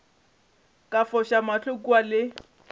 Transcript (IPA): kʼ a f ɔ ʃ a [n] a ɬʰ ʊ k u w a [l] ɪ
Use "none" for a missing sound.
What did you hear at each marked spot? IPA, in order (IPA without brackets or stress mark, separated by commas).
m, l